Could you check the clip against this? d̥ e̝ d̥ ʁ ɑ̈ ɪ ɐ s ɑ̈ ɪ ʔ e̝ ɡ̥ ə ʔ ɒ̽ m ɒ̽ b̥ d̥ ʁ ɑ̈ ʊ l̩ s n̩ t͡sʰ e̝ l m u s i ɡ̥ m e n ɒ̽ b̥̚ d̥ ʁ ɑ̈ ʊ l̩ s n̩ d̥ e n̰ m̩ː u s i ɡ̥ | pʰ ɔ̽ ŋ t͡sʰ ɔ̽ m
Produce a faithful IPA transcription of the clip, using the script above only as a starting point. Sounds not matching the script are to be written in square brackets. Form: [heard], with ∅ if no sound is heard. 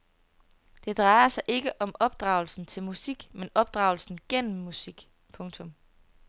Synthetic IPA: d̥ e̝ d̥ ʁ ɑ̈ ɪ ɐ s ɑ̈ ɪ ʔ e̝ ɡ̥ ə ʔ ɒ̽ m ɒ̽ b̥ d̥ ʁ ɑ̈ ʊ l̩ s n̩ t͡sʰ e̝ l m u s i ɡ̥ m e n ɒ̽ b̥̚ d̥ ʁ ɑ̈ ʊ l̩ s n̩ [ɡ̥] e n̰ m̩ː u s i ɡ̥ | pʰ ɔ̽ ŋ t͡sʰ ɔ̽ m